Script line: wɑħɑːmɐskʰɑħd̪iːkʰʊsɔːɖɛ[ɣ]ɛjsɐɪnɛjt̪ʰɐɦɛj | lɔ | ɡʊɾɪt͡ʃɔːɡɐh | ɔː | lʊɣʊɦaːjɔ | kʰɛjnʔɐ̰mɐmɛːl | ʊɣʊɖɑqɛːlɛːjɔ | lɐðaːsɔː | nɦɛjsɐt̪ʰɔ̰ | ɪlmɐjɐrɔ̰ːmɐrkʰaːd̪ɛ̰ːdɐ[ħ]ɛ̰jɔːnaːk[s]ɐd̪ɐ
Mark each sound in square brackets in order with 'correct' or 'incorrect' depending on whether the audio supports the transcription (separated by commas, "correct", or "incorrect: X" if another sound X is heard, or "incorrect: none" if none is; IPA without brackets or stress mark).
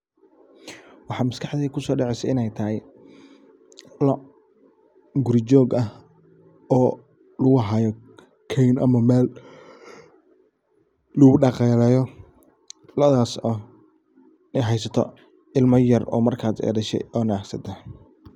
incorrect: ʕ, incorrect: ʃ, correct